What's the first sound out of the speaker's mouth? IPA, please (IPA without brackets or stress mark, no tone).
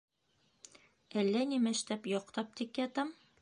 æ